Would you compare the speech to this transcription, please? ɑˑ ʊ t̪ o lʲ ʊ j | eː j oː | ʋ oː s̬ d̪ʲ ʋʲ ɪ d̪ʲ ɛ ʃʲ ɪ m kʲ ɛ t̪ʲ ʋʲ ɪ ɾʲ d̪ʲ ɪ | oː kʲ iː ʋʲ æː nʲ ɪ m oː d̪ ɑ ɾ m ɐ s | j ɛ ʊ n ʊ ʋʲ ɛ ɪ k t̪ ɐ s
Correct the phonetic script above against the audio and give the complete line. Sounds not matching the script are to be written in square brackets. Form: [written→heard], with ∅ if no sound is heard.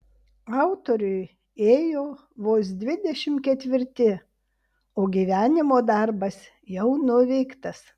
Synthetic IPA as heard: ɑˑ ʊ t̪ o [lʲ→ɾʲ] ʊ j | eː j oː | ʋ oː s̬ d̪ʲ ʋʲ ɪ d̪ʲ ɛ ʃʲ ɪ m kʲ ɛ t̪ʲ ʋʲ ɪ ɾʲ [d̪ʲ→t̪ʲ] ɪ | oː [kʲ→ɡʲ] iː ʋʲ æː nʲ ɪ m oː d̪ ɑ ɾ [m→b] ɐ s | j ɛ ʊ n ʊ ʋʲ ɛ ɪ k t̪ ɐ s